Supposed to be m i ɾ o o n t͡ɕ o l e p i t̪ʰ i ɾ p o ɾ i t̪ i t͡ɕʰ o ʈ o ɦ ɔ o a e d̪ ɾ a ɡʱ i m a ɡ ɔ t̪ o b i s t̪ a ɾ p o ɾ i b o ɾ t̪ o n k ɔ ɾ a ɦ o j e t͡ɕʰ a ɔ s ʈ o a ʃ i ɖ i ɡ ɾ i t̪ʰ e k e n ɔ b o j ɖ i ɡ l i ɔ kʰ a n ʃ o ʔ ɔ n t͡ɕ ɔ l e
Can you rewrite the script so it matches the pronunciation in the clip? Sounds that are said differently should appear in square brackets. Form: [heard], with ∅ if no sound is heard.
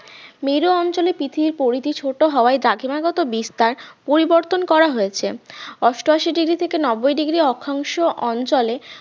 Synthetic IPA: m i ɾ o [ɔ] n t͡ɕ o l e p i t̪ʰ i ɾ p o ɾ i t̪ i t͡ɕʰ o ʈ o ɦ ɔ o a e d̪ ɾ a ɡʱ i m a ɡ ɔ t̪ o b i s t̪ a ɾ p o ɾ i b o ɾ t̪ o n k ɔ ɾ a ɦ o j e t͡ɕʰ [e] ɔ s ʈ o a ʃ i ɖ i ɡ ɾ i t̪ʰ e k e n ɔ b o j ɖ i ɡ [ɾ] i ɔ kʰ a [ŋ] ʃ o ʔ ɔ n t͡ɕ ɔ l e